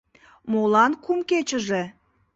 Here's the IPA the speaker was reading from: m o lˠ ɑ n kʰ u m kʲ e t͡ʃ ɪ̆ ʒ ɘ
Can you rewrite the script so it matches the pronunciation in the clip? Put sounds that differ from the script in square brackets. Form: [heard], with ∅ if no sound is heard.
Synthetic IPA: m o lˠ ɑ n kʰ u m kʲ e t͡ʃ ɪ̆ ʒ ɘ